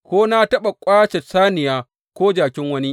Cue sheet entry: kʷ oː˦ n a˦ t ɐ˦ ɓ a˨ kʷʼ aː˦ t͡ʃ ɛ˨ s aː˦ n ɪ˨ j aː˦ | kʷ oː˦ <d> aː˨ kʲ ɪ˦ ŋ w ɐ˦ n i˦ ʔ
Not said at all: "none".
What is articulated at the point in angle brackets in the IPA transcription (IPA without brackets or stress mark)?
d͡ʒ